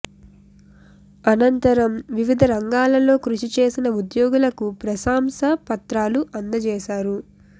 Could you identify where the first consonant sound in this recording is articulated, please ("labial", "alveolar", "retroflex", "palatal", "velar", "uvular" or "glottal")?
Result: alveolar